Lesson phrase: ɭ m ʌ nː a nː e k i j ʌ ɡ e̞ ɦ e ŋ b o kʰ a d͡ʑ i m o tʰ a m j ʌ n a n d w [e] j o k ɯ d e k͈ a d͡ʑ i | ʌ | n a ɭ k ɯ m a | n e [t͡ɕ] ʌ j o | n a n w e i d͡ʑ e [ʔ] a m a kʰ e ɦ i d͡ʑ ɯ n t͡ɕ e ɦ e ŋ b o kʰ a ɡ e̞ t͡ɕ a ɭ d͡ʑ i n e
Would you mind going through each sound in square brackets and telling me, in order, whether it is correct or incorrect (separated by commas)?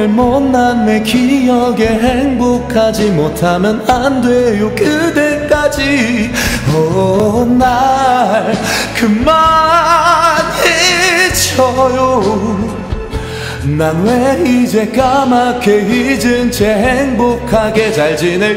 correct, incorrect, incorrect